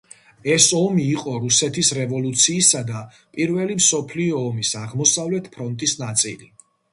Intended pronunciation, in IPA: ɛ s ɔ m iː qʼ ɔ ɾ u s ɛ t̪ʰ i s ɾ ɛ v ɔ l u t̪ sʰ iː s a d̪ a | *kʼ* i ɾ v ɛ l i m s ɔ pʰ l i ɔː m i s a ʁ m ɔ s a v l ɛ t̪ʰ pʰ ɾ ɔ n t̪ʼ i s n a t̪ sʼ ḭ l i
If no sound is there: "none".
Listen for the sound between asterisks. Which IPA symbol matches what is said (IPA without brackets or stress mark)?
pʼ